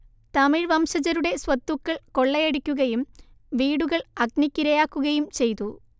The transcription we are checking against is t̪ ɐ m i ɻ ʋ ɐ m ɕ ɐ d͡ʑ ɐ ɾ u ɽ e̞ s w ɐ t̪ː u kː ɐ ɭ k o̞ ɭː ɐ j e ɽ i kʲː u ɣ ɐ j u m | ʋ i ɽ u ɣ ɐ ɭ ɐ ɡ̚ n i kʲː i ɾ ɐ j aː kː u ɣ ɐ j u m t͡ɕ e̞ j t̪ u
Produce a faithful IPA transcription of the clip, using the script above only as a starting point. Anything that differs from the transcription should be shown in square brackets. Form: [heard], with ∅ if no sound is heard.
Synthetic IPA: t̪ ɐ m i ɻ ʋ ɐ m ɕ ɐ d͡ʑ ɐ ɾ u ɽ e̞ s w ɐ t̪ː u kː ɐ ɭ k o̞ ɭː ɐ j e ɽ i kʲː u ɣ ɐ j u m | ʋ [iː] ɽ u ɣ ɐ ɭ ɐ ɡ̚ n i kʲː i ɾ ɐ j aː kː u ɣ ɐ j u m t͡ɕ e̞ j t̪ u